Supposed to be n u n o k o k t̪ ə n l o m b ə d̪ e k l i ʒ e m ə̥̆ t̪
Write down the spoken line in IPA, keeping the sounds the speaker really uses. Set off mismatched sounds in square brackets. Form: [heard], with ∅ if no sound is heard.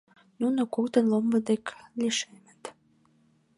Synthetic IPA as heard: n u n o k o k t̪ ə n l o m b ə d̪ e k l i [ʃ] e m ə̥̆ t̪